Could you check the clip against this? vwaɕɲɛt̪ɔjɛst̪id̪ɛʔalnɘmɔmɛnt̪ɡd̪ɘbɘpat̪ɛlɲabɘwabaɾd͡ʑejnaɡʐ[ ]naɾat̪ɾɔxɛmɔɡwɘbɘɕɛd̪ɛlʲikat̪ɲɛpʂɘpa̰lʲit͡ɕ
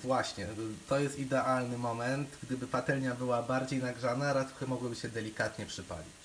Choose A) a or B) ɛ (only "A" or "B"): A